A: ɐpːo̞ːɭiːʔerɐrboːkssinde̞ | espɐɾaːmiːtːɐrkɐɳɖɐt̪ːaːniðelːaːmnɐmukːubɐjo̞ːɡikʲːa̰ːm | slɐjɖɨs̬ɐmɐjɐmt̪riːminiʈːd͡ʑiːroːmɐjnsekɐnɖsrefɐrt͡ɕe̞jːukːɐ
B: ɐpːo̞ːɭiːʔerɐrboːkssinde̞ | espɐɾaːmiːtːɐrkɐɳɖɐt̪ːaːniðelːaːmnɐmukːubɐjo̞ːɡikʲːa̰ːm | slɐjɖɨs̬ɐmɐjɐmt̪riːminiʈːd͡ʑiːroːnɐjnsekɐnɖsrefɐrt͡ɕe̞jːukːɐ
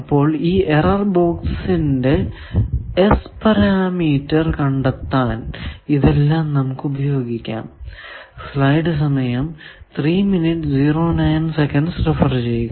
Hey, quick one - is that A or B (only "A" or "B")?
B